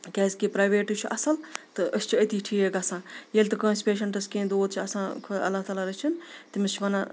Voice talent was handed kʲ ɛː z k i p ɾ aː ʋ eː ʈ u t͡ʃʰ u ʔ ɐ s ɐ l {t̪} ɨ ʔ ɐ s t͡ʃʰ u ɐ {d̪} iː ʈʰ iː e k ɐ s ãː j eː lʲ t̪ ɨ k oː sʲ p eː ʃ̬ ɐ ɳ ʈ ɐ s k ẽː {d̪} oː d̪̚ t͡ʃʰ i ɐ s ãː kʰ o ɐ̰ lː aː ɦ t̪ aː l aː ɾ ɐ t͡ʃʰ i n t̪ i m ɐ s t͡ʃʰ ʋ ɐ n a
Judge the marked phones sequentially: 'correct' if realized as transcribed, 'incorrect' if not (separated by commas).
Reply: correct, incorrect, correct